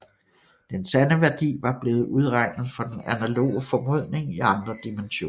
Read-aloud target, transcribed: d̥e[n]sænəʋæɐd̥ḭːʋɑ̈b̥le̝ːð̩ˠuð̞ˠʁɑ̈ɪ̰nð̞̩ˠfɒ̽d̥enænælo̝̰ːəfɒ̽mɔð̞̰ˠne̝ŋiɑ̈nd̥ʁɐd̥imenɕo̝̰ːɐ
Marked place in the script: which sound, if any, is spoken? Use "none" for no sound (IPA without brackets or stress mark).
n